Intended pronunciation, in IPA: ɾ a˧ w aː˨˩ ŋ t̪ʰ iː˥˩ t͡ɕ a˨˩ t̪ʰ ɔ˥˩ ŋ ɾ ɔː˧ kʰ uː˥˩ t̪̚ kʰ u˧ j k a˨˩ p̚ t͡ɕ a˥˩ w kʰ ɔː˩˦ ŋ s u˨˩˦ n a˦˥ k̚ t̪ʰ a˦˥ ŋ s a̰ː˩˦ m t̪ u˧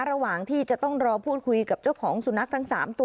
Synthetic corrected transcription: ɾ a˧ w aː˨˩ ŋ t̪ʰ iː˥˩ t͡ɕ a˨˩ t̪ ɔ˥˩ ŋ ɾ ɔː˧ pʰ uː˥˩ t̪̚ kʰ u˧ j k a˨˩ p̚ t͡ɕ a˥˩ w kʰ ɔː˩˦ ŋ s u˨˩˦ n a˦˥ k̚ t̪ʰ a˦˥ ŋ s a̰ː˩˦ m t̪ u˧

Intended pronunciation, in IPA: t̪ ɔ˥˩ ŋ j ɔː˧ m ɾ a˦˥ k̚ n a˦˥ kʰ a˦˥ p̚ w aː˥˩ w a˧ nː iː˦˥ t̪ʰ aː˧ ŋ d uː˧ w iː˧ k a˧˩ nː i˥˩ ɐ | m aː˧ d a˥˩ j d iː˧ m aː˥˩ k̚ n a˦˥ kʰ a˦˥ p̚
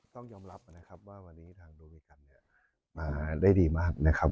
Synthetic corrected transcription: t̪ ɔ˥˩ ŋ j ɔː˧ m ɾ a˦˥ p̚ n a˦˥ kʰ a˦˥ p̚ w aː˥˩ w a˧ nː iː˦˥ t̪ʰ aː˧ ŋ d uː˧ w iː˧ k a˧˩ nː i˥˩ ɐ | m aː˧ d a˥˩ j d iː˧ m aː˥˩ k̚ n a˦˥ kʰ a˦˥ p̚

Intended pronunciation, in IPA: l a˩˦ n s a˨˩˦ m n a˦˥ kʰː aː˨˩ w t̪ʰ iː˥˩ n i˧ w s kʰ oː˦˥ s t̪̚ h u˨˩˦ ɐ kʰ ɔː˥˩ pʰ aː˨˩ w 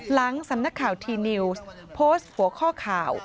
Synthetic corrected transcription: l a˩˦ ŋ s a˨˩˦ m n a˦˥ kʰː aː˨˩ w t̪ʰ iː˧ n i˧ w s pʰ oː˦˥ s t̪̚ h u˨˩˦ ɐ kʰ ɔː˥˩ kʰ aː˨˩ w

